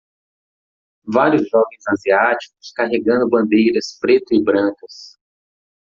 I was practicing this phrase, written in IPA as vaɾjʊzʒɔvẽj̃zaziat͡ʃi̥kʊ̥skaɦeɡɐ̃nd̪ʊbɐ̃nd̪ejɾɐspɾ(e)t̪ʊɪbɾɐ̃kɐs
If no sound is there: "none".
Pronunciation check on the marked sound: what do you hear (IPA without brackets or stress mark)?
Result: e